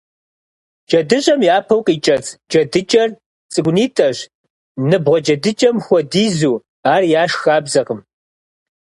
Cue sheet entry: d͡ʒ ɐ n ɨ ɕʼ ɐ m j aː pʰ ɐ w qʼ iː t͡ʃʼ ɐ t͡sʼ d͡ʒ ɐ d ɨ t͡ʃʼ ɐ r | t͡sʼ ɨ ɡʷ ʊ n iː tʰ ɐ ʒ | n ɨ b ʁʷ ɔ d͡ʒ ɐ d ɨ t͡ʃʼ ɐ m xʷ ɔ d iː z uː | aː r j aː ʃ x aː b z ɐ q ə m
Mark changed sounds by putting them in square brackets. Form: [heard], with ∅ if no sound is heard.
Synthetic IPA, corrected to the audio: d͡ʒ ɐ [d] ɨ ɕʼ ɐ m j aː pʰ ɐ w qʼ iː t͡ʃʼ ɐ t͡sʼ d͡ʒ ɐ d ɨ t͡ʃʼ ɐ r | t͡sʼ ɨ ɡʷ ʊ n iː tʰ ɐ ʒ | n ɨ b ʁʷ ɔ d͡ʒ ɐ d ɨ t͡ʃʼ ɐ m xʷ ɔ d iː z uː | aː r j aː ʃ x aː b z ɐ q ə m

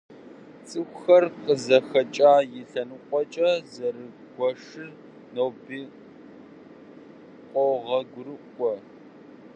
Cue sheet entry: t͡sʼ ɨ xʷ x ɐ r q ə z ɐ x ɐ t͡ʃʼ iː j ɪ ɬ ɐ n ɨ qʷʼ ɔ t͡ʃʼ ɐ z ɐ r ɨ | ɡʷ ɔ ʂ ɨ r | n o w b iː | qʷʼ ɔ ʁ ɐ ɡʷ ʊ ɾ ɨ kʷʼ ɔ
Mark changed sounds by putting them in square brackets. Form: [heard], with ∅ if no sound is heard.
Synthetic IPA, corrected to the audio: t͡sʼ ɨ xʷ x ɐ r q ə z ɐ x ɐ t͡ʃʼ [aː] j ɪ ɬ ɐ n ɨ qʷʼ ɔ t͡ʃʼ ɐ z ɐ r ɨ | ɡʷ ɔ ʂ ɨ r | n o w b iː | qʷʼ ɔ ʁ ɐ ɡʷ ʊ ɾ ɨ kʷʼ ɔ

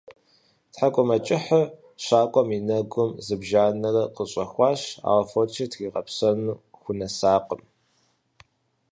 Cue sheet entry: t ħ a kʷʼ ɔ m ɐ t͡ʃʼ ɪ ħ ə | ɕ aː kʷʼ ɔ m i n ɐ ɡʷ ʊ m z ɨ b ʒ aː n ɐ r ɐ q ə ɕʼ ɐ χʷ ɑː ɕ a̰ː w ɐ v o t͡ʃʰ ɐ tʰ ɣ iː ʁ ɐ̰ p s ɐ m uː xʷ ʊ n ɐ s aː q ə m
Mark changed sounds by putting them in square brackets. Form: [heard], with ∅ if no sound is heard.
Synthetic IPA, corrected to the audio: t ħ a kʷʼ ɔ m ɐ t͡ʃʼ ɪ ħ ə | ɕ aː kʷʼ ɔ m i n ɐ ɡʷ ʊ m z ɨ b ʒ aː n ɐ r ɐ q ə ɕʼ ɐ [xʷ] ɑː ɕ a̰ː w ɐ [f] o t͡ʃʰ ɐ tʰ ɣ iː ʁ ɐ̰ p s ɐ [n] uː xʷ ʊ n ɐ s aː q ə m

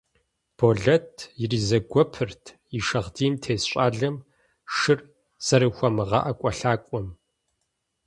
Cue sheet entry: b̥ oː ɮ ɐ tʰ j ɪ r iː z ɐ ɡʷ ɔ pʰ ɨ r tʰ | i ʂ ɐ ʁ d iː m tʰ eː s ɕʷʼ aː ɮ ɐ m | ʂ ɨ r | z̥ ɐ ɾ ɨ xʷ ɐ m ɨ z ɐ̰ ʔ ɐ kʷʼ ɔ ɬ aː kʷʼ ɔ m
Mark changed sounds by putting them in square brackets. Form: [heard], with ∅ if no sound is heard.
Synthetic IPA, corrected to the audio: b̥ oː ɮ ɐ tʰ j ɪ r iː z ɐ ɡʷ ɔ pʰ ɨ r tʰ | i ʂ ɐ ʁ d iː m tʰ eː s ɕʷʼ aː ɮ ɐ m | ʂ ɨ r | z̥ ɐ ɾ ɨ xʷ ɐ m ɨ [ʁ] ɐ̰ ʔ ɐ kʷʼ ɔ ɬ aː kʷʼ ɔ m

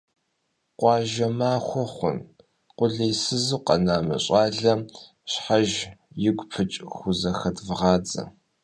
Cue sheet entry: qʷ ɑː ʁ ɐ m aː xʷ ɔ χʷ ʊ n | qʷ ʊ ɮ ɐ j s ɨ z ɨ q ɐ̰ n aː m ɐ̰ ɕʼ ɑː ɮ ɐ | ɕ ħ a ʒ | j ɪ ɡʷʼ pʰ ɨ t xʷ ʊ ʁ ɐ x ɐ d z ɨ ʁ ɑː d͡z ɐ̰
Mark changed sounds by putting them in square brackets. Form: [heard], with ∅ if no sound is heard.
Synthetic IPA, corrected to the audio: qʷ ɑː [ʒ] ɐ m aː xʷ ɔ χʷ ʊ n | qʷ ʊ ɮ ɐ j s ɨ z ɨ q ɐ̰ n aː m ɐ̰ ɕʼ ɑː ɮ ɐ | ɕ ħ a ʒ | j ɪ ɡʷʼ pʰ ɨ [t͡ʃʼ] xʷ ʊ [z] ɐ x ɐ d [v] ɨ ʁ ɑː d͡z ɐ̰

